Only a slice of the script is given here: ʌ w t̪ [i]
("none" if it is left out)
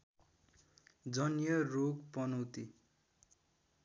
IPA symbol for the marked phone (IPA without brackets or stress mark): i